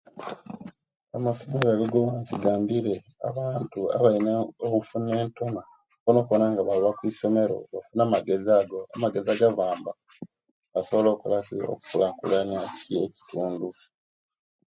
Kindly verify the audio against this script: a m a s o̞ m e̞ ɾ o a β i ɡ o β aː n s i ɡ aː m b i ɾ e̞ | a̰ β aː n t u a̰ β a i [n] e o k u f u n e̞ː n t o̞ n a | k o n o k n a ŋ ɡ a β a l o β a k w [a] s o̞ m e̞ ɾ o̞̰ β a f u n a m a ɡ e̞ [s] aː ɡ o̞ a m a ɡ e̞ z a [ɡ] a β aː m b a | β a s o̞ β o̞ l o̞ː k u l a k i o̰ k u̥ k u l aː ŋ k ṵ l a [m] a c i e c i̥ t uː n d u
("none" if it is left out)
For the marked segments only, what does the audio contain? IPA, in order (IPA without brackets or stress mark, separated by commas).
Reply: n, i, z, ɡ, n